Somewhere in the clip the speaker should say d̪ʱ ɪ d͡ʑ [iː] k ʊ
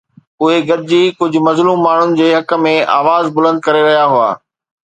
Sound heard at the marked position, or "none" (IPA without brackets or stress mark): iː